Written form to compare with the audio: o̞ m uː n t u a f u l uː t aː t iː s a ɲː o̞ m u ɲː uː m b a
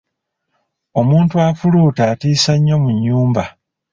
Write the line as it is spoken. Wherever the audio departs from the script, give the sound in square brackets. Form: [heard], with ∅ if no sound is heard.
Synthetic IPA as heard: o̞ m uː n t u a f u l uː t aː t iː s a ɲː o̞ m u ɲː uː m b a

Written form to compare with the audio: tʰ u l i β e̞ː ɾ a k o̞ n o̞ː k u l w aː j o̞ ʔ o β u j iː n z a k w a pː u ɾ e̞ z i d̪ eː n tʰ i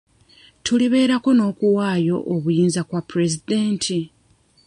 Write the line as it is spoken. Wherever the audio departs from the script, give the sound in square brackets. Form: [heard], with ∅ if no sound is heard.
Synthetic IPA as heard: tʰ u l i β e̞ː ɾ a k o̞ n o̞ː k u [∅] w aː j o̞ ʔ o β u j iː n z a k w a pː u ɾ e̞ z i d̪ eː n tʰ i

